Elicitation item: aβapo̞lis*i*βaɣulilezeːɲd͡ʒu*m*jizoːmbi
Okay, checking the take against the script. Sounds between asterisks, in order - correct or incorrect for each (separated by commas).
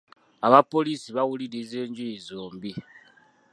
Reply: correct, incorrect